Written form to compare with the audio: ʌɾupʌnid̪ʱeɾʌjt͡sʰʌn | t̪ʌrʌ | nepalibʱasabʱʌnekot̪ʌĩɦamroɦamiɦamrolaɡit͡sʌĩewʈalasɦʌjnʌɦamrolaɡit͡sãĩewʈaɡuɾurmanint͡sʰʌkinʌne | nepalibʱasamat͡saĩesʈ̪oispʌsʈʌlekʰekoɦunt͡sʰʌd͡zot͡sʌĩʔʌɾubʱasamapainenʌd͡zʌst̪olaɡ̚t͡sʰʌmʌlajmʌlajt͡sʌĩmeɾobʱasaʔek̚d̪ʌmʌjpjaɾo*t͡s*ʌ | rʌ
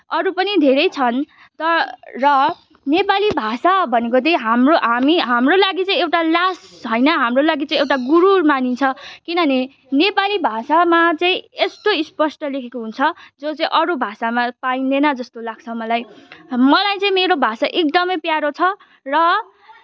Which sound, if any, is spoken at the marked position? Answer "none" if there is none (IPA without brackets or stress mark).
t͡sʰ